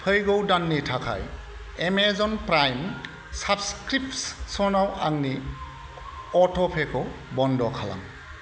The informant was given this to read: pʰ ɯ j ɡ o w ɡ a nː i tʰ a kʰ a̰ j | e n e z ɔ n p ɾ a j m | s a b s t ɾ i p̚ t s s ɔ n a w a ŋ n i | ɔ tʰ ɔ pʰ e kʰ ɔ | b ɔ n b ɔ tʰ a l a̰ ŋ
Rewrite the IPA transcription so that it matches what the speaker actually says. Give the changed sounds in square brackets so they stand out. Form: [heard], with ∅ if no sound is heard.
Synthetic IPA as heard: pʰ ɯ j ɡ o w [d] a nː i tʰ a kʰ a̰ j | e [m] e z ɔ n p ɾ a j m | s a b s [k] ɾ i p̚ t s s ɔ n a w a ŋ n i | ɔ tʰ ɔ pʰ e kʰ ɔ | b ɔ n [d] ɔ [kʰ] a l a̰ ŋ